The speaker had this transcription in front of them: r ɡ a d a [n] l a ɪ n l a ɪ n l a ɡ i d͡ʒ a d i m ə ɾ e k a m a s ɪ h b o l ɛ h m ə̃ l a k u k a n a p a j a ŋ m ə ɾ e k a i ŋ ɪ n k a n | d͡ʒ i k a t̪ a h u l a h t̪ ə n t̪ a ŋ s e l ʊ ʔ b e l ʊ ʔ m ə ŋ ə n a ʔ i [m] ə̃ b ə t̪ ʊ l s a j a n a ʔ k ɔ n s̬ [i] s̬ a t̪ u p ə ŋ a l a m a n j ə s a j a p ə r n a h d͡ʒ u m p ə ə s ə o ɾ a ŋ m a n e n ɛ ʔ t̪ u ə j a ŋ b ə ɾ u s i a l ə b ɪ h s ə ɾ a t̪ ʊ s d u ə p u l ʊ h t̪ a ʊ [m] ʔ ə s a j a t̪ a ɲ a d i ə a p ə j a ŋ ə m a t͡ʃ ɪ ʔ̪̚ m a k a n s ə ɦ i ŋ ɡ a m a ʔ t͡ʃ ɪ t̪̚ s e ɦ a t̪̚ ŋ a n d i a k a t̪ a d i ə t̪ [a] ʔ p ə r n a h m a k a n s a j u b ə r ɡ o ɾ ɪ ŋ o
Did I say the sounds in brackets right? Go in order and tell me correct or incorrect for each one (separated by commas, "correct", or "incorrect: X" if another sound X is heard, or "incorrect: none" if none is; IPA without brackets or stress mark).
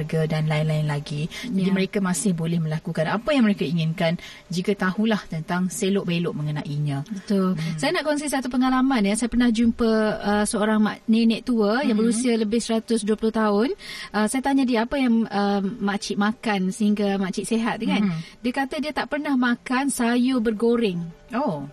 correct, incorrect: ɲ, correct, incorrect: n, correct